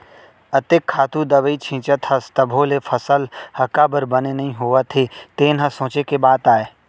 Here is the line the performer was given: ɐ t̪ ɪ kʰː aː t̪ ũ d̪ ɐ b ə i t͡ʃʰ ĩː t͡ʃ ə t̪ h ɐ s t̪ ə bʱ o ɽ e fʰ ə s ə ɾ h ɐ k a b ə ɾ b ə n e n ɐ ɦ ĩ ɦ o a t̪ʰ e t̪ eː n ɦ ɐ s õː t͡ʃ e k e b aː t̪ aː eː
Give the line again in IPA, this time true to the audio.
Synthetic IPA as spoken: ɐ t̪ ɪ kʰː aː t̪ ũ d̪ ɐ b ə i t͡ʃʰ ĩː t͡ʃ ə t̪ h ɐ s t̪ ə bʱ o l e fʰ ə s ə l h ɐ k a b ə ɾ b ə n e n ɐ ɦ ĩ ɦ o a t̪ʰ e t̪ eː n ɦ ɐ s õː t͡ʃ e k e b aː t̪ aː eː